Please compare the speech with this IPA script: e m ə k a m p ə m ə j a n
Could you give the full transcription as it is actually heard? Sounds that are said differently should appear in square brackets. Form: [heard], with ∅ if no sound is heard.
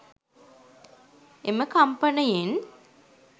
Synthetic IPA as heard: e m ə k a m p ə [n] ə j [e] n